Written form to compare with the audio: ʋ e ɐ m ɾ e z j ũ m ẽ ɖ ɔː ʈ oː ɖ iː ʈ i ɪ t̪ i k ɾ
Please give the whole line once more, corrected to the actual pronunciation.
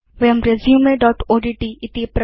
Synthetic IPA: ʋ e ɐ m ɾ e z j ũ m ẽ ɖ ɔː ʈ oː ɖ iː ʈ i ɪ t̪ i p ɾ